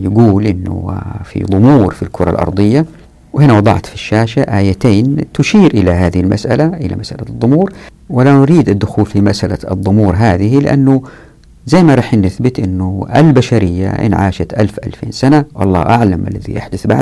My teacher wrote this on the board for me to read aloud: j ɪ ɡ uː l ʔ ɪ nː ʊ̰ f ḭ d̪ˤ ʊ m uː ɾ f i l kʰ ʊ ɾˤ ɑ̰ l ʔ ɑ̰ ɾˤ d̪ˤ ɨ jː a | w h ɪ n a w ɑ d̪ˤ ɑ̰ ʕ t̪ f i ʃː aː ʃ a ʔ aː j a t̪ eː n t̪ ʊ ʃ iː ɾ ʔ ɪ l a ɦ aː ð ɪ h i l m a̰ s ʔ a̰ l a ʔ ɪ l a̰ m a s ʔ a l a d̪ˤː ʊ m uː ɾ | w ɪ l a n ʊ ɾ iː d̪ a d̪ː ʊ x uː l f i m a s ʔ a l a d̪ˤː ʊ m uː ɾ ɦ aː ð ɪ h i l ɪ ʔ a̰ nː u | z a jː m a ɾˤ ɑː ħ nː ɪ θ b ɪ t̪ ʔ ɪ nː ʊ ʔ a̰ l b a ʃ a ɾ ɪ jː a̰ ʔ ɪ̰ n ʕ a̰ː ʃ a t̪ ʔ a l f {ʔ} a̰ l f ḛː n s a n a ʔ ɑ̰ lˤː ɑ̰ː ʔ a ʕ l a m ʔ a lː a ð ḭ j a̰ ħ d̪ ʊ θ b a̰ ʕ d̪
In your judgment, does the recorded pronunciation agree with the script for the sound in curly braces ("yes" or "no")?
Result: yes